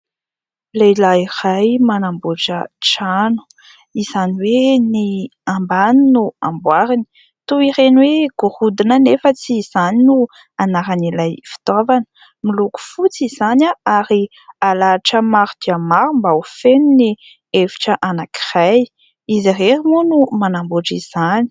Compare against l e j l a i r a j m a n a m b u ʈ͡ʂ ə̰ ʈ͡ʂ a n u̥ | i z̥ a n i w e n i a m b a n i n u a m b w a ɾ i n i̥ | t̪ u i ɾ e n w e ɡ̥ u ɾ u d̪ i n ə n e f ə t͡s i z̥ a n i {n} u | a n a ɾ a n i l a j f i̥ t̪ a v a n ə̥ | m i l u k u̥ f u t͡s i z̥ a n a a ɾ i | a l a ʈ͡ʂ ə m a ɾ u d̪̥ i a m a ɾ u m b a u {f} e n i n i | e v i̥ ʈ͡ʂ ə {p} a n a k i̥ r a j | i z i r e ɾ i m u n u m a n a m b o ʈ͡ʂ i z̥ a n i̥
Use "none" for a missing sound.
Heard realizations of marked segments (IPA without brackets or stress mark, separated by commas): n, f, ʔ